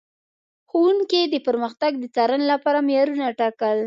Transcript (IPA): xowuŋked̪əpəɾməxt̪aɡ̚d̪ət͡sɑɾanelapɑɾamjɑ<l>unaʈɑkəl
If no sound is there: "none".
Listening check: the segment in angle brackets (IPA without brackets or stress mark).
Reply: ɾ